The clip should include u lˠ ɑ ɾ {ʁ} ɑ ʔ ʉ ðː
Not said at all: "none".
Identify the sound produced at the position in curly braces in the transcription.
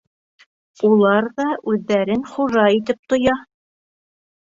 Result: ð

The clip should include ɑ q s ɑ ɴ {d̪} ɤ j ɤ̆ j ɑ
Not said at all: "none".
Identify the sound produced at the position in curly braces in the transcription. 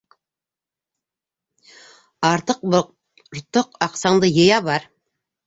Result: d̪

